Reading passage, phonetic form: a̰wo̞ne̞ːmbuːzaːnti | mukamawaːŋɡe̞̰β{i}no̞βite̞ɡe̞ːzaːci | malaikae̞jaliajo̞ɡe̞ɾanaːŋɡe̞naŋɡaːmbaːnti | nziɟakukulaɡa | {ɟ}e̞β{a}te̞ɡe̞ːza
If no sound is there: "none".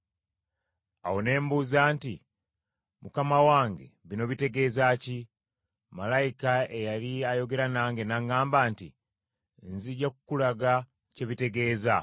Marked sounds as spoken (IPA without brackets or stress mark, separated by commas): i, c, i